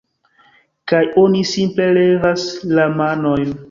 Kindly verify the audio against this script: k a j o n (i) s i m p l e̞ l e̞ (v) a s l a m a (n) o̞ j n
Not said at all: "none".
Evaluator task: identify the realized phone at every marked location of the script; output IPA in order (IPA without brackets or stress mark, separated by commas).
i, v, n